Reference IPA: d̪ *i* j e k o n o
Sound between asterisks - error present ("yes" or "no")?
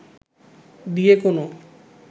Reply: no